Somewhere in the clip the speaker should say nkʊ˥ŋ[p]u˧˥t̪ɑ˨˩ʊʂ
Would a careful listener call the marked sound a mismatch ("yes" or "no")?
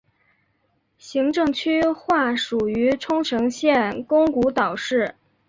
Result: yes